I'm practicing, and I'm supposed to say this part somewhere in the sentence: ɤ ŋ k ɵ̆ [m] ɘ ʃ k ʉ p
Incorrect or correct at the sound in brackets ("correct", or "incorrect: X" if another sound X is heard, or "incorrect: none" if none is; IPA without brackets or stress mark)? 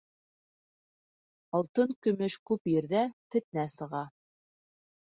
correct